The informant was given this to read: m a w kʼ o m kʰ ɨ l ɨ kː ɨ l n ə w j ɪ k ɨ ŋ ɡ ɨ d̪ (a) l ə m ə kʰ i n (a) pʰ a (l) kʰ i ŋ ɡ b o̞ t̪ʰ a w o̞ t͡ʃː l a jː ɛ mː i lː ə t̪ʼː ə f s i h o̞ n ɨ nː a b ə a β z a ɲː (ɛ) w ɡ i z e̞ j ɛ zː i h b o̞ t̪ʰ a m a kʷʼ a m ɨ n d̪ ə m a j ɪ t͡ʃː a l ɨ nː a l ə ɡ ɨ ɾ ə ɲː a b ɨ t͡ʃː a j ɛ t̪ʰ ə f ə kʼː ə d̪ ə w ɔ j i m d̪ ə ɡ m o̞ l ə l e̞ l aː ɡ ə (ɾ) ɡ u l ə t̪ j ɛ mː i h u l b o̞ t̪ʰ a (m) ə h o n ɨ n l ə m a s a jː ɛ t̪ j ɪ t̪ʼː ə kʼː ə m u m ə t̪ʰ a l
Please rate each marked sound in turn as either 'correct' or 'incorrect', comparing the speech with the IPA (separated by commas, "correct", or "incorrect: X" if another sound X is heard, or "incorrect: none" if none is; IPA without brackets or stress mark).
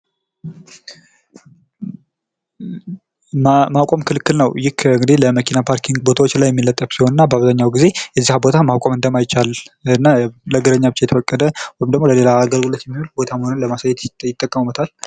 incorrect: i, correct, incorrect: ɾ, incorrect: a, incorrect: l, correct